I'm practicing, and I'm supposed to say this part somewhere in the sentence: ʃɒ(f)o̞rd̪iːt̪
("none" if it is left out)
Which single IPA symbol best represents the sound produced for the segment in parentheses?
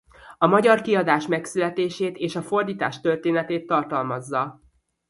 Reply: f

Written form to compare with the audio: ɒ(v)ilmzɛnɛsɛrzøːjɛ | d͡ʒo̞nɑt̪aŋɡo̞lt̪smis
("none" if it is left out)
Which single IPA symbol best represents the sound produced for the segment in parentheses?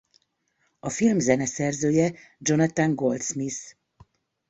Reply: f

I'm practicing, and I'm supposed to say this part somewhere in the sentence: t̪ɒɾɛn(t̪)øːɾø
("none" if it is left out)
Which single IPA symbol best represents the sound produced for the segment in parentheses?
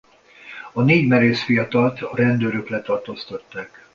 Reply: d̪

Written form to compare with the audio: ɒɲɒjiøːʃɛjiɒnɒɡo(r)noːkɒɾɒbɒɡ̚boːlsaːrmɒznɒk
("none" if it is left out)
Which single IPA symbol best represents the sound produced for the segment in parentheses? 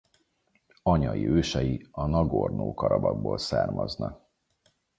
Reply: r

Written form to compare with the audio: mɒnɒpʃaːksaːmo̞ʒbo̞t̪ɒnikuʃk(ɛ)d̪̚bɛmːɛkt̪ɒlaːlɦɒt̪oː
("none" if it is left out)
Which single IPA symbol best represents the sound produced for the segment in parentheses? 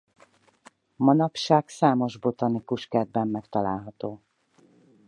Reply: ɛ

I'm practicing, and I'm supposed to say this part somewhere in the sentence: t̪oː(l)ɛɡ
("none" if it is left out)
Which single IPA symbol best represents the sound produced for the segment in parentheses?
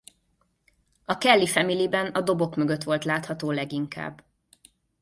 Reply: l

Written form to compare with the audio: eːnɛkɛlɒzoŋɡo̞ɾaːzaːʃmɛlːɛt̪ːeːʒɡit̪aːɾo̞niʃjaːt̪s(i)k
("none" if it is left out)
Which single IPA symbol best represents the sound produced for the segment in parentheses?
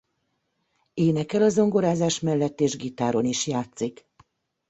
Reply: i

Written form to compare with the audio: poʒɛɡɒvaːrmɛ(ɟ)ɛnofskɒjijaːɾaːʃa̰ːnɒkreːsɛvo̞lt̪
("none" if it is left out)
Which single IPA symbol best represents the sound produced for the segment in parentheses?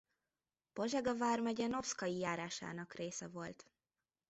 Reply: ɟ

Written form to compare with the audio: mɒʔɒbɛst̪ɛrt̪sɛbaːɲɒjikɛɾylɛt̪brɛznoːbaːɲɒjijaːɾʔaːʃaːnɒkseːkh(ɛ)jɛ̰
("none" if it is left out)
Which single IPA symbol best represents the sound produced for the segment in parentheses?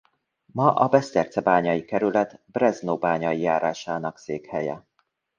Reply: ɛ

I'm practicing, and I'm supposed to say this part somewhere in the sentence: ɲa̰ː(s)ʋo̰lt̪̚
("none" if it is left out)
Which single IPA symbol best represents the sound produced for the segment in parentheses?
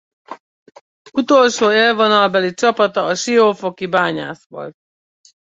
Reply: s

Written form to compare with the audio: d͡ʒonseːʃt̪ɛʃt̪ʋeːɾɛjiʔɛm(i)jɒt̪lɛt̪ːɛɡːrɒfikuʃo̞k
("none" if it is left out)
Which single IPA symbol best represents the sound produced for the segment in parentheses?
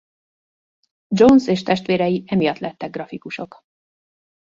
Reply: i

